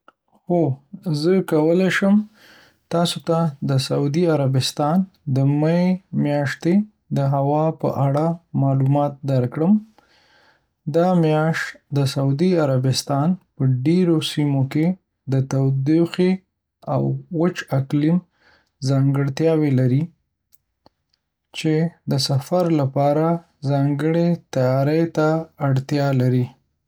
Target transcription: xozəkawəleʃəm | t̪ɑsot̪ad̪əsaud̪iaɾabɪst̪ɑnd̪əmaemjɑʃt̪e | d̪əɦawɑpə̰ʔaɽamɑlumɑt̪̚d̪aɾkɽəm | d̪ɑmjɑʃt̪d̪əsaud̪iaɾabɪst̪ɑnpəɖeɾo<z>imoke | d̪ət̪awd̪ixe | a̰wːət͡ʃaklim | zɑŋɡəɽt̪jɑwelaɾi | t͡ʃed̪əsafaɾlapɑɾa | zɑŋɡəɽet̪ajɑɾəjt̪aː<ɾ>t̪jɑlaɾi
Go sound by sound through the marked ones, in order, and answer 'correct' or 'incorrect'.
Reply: incorrect: s, incorrect: ɽ

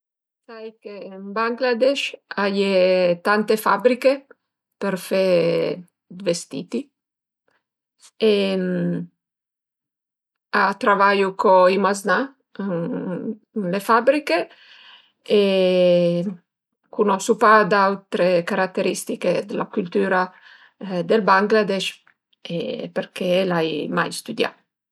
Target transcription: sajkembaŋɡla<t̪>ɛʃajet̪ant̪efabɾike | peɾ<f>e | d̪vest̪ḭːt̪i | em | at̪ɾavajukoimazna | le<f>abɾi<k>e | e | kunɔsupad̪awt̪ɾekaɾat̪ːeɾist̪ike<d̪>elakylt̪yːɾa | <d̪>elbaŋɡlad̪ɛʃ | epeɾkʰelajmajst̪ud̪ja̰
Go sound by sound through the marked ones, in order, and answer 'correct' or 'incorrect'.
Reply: incorrect: d̪, correct, correct, correct, correct, correct

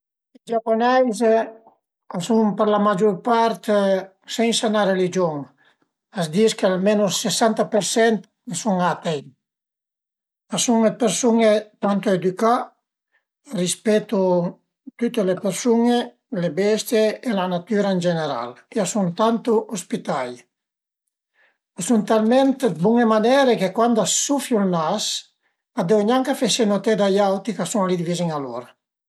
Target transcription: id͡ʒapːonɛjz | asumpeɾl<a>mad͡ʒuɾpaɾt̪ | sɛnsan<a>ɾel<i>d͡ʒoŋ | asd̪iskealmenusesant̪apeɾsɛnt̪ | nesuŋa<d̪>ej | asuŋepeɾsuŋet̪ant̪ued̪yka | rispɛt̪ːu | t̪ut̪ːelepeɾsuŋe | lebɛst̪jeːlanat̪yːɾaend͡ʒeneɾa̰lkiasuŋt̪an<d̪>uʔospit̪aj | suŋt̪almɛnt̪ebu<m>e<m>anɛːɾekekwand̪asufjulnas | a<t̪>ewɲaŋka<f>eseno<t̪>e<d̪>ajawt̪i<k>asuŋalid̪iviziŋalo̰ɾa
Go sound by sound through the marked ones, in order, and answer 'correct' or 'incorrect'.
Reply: correct, correct, correct, incorrect: t̪, incorrect: t̪, incorrect: ŋ, correct, incorrect: d̪, correct, correct, correct, correct

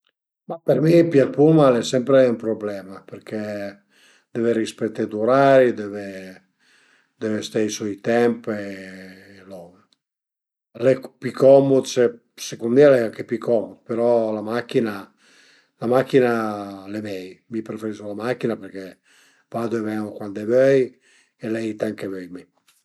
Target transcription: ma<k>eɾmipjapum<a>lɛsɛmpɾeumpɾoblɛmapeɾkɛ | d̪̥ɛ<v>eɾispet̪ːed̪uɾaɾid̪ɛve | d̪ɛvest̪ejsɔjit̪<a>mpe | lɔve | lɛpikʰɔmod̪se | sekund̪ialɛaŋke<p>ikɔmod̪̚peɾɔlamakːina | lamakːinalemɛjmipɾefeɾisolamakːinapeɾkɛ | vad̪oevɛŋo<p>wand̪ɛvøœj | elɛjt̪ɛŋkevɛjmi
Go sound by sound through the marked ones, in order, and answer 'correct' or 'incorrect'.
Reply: incorrect: p, correct, correct, incorrect: ɛ, correct, incorrect: k

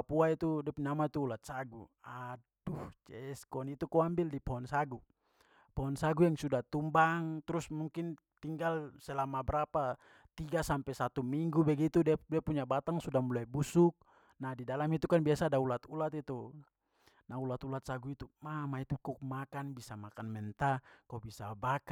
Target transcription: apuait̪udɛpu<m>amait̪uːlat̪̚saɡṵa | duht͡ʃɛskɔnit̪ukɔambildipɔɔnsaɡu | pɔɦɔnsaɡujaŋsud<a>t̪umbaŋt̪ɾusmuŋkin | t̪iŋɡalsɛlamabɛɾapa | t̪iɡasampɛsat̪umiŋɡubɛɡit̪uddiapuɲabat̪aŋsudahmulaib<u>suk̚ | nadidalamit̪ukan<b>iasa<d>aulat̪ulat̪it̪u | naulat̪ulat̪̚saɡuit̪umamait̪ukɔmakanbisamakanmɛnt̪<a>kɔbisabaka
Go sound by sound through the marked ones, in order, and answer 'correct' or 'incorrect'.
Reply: incorrect: ɲ, correct, correct, correct, correct, correct

